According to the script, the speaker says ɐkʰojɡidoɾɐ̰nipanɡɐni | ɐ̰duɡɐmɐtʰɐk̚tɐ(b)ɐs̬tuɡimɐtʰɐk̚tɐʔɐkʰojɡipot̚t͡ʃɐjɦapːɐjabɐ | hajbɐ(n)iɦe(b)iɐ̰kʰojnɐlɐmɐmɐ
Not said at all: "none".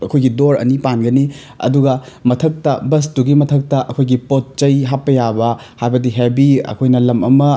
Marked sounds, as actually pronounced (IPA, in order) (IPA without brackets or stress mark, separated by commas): b, d, b